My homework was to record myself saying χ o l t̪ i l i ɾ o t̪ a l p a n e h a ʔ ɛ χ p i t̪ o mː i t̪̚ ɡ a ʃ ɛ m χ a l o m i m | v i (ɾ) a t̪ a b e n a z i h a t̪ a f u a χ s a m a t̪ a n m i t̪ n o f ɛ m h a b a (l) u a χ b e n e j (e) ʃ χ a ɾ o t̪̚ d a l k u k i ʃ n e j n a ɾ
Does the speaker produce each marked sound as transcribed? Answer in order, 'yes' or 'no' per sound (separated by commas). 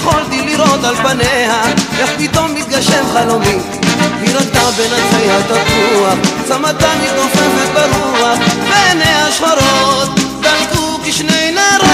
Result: yes, no, no